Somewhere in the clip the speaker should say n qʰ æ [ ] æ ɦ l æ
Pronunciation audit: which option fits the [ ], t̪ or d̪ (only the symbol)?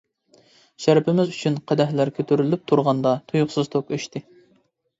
d̪